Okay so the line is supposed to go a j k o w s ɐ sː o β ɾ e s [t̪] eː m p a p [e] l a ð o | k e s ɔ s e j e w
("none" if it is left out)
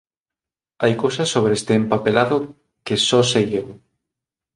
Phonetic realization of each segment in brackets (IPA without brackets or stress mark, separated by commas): t̪, e